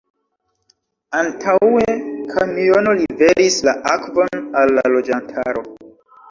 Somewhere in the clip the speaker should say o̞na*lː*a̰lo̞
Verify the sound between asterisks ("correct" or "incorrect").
correct